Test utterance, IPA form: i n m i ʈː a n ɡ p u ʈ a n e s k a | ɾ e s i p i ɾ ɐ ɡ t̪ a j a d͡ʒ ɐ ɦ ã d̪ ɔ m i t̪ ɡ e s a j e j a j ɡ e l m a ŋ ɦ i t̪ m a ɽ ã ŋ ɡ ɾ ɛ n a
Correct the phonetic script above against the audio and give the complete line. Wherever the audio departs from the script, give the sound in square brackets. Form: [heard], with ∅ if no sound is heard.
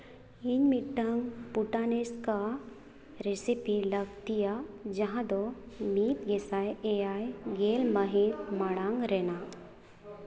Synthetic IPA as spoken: i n m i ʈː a [ŋ] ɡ p u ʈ a n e s k a | ɾ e s i p i [l] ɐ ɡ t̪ [i] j a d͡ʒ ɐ ɦ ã d̪ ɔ m i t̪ ɡ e s a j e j a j ɡ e l m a [∅] ɦ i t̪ m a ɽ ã ŋ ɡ ɾ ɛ n a

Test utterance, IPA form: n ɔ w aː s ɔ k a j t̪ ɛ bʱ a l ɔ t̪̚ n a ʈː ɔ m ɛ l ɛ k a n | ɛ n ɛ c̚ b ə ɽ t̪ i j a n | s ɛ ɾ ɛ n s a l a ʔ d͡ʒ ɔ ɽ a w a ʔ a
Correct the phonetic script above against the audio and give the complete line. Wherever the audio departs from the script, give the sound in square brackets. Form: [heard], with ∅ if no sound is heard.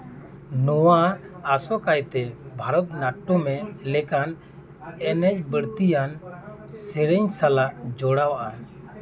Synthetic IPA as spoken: n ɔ w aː s ɔ k a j t̪ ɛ bʱ a [ɾ] ɔ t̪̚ n a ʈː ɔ m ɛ l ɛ k a n | ɛ n ɛ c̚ b ə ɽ t̪ i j a n | s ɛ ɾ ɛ [ɲ] s a l a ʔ d͡ʒ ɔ ɽ a w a ʔ a

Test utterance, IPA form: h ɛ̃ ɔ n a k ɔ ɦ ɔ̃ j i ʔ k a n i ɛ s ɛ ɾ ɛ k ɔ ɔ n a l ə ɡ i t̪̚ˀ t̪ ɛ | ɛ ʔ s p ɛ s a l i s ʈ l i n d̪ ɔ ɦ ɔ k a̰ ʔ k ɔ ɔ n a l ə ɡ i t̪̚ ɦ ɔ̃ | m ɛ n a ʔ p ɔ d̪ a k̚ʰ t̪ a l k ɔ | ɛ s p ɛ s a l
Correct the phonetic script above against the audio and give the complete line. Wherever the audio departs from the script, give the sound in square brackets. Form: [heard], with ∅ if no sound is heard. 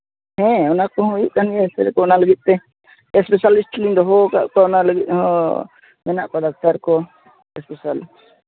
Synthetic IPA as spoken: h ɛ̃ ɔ n a k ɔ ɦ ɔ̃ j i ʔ k a n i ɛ s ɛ ɾ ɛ k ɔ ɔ n a l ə ɡ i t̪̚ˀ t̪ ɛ | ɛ [∅] s p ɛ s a l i s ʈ l i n d̪ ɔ ɦ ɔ k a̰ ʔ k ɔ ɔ n a l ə ɡ i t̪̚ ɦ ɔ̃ | m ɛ n a ʔ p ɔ d̪ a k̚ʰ t̪ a [ɾ] k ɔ | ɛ s p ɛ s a l

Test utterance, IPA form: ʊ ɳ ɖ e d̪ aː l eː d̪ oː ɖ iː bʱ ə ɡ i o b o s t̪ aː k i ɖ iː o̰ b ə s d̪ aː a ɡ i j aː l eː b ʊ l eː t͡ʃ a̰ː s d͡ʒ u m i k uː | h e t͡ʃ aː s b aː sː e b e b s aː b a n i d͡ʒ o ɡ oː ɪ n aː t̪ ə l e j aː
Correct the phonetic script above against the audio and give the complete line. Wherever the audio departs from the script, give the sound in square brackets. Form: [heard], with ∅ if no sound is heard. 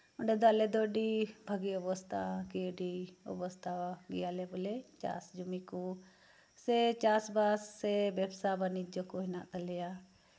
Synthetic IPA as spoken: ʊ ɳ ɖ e d̪ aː l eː d̪ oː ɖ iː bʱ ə ɡ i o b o s t̪ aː k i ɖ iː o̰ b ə s [t̪] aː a ɡ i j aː l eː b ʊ l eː t͡ʃ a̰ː s d͡ʒ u m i k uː | [s] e t͡ʃ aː s b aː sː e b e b s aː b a n i d͡ʒ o [k] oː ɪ n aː t̪ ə l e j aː

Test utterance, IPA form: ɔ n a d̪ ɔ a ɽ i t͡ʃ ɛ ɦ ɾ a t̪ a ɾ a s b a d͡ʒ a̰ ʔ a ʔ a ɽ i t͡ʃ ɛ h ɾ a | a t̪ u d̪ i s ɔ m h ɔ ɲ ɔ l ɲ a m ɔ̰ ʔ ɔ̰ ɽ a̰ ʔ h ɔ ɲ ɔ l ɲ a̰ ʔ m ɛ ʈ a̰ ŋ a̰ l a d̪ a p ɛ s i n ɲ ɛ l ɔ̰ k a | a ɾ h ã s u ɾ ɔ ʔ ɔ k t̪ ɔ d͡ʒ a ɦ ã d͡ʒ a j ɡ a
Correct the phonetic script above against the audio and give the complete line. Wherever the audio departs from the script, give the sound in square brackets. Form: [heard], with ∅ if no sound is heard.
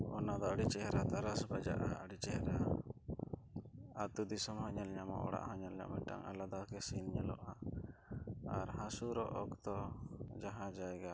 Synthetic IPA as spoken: ɔ n a d̪ ɔ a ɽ i t͡ʃ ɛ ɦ ɾ a t̪ a ɾ a s b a d͡ʒ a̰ ʔ a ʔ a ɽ i t͡ʃ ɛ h ɾ a | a t̪ u d̪ i s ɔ m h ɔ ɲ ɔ l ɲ a m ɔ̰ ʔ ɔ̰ ɽ a̰ ʔ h ɔ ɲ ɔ l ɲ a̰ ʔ m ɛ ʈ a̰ ŋ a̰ l a d̪ a [k] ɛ s i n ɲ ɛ l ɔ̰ [ʔ] a | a ɾ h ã s u ɾ ɔ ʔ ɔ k t̪ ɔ d͡ʒ a ɦ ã d͡ʒ a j ɡ a

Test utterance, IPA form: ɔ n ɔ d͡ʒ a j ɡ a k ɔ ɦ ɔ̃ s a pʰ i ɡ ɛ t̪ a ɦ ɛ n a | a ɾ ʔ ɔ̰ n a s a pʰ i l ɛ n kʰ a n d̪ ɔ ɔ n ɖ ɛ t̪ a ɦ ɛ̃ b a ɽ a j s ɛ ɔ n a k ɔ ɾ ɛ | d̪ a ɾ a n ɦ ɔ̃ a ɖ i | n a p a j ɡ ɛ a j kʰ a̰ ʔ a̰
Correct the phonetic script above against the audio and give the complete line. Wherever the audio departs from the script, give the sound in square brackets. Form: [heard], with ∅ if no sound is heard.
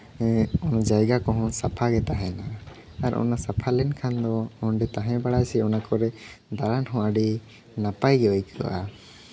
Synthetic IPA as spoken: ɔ n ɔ d͡ʒ a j ɡ a k ɔ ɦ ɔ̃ s a pʰ [a] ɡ ɛ t̪ a ɦ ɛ n a | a ɾ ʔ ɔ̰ n a s a pʰ [a] l ɛ n kʰ a n d̪ ɔ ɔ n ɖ ɛ t̪ a ɦ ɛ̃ b a ɽ a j s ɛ ɔ n a k ɔ ɾ ɛ | d̪ a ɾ a n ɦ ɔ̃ a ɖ i | n a p a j ɡ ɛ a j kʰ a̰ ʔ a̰

